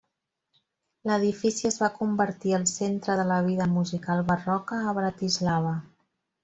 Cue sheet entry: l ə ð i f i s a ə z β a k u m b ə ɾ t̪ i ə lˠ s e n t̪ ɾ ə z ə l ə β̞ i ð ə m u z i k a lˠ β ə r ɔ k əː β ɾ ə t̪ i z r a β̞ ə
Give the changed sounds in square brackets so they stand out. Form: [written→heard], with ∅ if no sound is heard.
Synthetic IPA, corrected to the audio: l ə ð i f i s [a→i] ə z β a k u m b ə ɾ t̪ i ə lˠ s e n t̪ ɾ ə [z→ð] ə l ə β̞ i ð ə m u z i k a lˠ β ə r ɔ k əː β ɾ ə t̪ i z [r→l] a β̞ ə